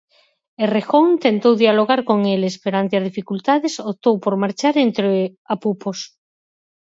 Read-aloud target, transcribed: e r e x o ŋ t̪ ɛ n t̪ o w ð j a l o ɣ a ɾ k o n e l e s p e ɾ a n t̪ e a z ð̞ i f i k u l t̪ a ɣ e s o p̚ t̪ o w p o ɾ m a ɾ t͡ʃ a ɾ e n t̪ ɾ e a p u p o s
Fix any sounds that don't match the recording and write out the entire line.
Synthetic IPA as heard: e r e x o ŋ t̪ e n t̪ o w ð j a l o ɣ a ɾ k o ŋ e l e s p e ɾ a n t̪ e a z ð̞ i f i k u l t̪ a ð e s o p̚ t̪ o w p o ɾ m a ɾ t͡ʃ a ɾ e n t̪ ɾ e a p u p o s